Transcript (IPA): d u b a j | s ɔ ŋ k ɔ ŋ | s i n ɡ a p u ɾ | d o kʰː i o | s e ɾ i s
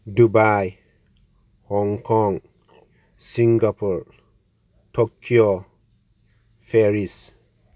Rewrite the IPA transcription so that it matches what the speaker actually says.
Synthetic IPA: d u b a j | h ɔ ŋ k ɔ ŋ | s i ŋ ɡ a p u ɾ | t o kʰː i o | f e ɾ i s